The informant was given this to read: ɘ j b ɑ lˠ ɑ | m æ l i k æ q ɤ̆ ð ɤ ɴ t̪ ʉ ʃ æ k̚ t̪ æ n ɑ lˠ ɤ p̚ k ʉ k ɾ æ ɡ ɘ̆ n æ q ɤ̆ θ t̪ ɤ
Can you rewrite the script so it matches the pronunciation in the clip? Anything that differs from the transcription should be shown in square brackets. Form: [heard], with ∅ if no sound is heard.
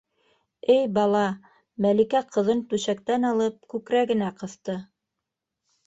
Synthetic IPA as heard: ɘ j b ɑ lˠ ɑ | m æ l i k æ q ɤ̆ ð ɤ [n] t̪ ʉ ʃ æ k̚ t̪ æ n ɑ lˠ ɤ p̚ k ʉ k ɾ æ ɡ ɘ̆ n æ q ɤ̆ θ t̪ ɤ